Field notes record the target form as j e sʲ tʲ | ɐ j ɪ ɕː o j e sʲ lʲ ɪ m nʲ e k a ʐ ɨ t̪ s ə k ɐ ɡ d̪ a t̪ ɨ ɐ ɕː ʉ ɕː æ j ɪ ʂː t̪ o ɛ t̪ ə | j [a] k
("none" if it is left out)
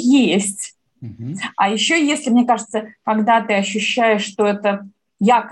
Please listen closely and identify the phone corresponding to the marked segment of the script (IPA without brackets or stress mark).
a